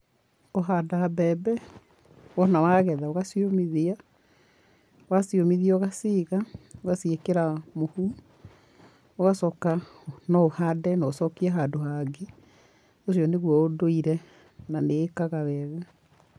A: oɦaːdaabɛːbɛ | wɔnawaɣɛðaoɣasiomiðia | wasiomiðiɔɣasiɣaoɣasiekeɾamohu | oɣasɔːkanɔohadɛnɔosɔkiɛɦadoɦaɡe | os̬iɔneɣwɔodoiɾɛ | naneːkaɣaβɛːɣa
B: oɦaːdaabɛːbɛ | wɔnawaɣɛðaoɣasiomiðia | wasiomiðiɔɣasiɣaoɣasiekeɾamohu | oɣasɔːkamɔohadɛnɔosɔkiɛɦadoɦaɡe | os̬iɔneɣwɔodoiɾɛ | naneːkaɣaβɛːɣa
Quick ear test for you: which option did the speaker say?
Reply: A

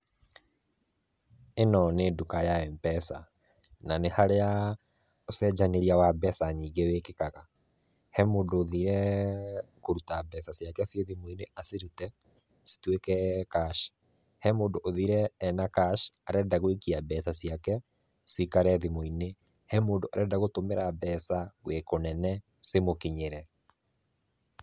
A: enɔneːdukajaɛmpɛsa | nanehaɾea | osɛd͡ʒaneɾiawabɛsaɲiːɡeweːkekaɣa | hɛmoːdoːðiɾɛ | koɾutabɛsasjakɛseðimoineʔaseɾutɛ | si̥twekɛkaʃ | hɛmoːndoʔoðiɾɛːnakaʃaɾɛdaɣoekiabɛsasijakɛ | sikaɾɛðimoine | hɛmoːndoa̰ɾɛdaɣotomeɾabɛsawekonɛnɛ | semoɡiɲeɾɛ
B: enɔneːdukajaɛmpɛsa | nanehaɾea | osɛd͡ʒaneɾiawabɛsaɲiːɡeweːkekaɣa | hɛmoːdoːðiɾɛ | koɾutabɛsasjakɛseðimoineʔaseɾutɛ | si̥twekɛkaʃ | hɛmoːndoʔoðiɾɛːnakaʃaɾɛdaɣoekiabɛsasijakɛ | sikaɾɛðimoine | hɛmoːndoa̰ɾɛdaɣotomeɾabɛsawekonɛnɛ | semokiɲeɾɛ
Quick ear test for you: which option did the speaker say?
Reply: B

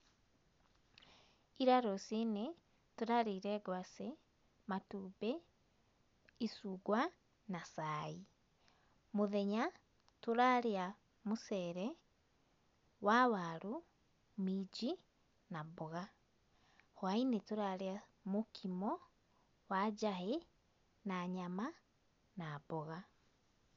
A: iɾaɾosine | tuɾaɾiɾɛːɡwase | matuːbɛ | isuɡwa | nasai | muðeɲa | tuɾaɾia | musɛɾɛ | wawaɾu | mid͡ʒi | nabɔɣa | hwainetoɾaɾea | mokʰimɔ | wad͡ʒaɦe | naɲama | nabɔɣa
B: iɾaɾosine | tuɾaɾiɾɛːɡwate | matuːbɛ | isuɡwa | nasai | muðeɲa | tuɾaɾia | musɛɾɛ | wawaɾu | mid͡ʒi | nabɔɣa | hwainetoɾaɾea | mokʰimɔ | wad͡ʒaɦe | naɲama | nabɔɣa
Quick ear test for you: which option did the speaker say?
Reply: A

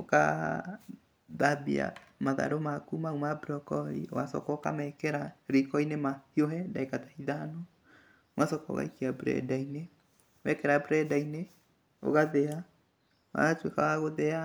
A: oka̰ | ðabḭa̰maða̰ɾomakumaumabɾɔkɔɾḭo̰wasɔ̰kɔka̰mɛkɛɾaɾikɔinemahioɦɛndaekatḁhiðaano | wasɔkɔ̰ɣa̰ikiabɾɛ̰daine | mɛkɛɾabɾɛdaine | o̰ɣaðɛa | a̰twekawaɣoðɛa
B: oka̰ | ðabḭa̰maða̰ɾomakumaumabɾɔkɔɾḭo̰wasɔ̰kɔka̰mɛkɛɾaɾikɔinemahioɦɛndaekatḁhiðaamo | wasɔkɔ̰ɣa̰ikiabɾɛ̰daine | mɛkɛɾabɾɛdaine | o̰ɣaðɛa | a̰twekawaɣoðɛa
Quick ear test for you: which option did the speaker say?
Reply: A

